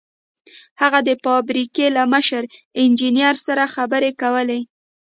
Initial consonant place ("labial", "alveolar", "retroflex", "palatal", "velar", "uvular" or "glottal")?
glottal